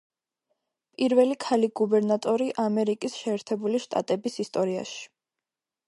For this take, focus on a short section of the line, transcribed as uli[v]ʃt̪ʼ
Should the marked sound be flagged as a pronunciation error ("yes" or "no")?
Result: yes